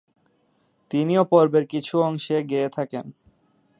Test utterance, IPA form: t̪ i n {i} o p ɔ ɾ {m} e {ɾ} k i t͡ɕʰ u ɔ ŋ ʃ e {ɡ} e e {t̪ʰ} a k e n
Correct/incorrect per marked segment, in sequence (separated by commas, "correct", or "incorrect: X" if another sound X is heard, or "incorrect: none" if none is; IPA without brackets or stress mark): correct, incorrect: b, correct, correct, correct